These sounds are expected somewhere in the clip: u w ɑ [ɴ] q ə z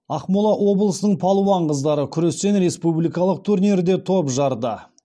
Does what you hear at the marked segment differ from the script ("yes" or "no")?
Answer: no